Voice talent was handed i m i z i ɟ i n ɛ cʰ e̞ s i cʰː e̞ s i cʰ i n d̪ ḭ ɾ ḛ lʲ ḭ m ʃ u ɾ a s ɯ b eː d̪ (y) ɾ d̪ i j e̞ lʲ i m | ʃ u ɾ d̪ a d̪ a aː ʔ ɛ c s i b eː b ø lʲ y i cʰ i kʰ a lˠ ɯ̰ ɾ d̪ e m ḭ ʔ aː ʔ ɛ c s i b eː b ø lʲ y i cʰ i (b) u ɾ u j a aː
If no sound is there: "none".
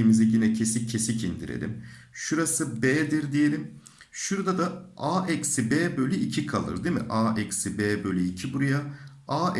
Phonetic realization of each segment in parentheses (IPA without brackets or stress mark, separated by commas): i, b